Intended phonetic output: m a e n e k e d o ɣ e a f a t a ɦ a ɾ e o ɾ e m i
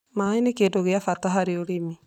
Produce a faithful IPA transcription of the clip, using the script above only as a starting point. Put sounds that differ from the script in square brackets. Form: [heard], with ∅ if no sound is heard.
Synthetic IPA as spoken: m a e n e k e d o ɣ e a f a t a ɦ a ɾ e o ɾ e m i